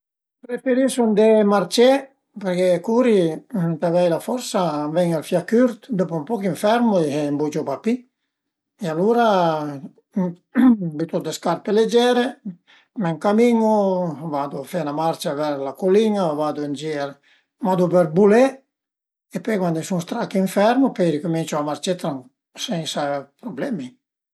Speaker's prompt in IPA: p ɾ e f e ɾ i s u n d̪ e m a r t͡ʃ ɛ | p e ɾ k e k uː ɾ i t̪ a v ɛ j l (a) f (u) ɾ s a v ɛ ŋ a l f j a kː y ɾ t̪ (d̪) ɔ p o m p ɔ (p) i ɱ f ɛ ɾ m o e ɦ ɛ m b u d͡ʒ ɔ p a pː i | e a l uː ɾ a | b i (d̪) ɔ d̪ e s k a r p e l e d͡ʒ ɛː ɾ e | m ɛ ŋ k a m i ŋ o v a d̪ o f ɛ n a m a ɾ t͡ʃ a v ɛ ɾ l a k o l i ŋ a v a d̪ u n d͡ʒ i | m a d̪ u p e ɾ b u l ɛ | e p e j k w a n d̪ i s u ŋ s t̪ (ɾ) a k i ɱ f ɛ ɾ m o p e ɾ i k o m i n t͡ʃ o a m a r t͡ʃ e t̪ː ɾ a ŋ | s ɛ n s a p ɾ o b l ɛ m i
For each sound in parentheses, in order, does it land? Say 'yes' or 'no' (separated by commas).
yes, no, yes, no, no, yes